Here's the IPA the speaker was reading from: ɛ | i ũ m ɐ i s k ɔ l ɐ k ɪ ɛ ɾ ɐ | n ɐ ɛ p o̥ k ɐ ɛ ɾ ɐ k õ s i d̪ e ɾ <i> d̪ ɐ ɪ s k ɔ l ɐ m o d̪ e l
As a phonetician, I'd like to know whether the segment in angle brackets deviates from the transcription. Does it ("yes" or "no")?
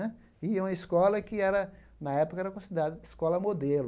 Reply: yes